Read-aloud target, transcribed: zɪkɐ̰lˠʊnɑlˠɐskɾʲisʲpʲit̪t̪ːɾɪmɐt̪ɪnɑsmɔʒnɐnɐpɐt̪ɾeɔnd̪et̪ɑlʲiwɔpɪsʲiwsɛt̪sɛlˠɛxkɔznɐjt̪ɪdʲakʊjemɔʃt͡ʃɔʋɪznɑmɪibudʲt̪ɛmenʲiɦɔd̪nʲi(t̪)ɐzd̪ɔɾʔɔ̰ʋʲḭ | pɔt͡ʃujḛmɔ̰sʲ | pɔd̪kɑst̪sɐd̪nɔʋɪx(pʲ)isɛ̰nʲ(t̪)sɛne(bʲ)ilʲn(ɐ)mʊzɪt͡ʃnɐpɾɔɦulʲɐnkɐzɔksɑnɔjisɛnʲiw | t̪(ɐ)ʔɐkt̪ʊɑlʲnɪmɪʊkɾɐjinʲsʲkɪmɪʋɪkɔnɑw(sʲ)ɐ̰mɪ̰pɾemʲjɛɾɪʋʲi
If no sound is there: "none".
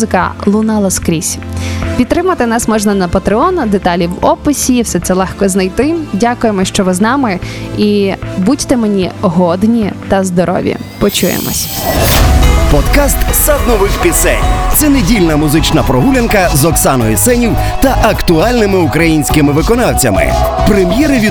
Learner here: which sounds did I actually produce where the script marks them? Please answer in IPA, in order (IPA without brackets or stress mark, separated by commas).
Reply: t̪, pʲ, t̪, dʲ, ɐ, ɐ, t͡sʲ